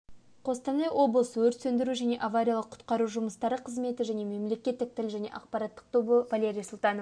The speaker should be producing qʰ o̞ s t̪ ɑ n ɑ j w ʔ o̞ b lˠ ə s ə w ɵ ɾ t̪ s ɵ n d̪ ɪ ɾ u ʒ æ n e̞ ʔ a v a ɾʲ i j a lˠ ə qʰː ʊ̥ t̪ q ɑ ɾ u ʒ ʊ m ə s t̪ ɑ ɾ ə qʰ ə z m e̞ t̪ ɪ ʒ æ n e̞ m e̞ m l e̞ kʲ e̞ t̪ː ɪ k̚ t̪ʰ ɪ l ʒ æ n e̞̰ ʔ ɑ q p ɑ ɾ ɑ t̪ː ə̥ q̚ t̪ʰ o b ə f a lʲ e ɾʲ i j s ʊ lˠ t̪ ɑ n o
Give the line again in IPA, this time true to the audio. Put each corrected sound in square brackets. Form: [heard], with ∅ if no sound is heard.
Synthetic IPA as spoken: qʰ o̞ s t̪ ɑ n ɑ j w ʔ o̞ b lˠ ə s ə w ɵ ɾ t̪ s ɵ n d̪ ɪ ɾ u ʒ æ n e̞ ʔ a v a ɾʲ i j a lˠ ə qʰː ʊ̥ t̪ q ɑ ɾ u ʒ ʊ m ə s t̪ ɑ ɾ ə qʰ ə z m e̞ t̪ ɪ ʒ æ n e̞ m e̞ m l e̞ kʲ e̞ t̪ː ɪ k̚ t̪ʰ ɪ l ʒ æ n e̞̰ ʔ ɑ q p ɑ ɾ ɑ t̪ː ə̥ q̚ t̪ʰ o b ə [v] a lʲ e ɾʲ i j s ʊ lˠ t̪ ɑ n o